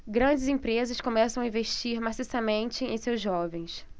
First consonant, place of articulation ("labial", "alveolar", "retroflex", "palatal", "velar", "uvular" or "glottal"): velar